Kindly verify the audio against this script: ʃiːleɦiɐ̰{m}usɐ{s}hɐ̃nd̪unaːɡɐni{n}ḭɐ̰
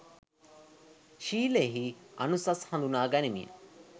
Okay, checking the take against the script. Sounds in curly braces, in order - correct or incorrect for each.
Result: incorrect, correct, incorrect

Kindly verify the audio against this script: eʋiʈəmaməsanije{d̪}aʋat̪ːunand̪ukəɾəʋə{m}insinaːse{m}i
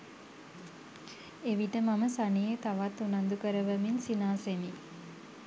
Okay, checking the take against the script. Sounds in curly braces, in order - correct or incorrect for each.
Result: incorrect, correct, correct

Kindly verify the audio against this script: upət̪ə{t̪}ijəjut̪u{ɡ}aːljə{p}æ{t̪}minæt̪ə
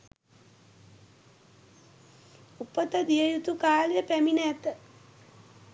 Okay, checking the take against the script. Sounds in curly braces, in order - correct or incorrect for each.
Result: incorrect, incorrect, correct, incorrect

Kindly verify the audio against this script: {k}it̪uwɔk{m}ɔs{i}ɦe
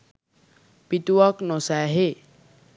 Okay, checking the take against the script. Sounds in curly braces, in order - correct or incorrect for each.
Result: incorrect, incorrect, incorrect

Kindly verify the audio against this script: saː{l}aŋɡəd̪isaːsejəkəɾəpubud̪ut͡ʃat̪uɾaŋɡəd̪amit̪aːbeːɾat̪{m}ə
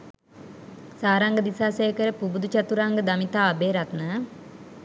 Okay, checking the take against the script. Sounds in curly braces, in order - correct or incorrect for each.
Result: incorrect, incorrect

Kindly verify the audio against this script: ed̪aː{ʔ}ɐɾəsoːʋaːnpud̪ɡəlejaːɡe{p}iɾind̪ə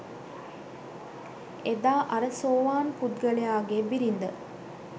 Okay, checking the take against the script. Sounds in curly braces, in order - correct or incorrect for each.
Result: correct, incorrect

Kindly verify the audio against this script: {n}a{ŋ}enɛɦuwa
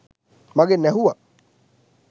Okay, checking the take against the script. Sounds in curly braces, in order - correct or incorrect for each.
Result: incorrect, incorrect

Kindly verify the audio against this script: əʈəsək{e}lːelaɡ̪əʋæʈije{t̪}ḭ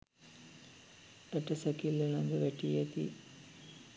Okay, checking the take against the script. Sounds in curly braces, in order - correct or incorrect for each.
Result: incorrect, correct

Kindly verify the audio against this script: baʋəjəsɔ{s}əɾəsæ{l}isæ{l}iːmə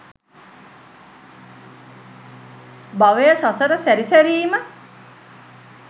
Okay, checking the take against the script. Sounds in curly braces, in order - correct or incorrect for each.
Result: correct, incorrect, incorrect

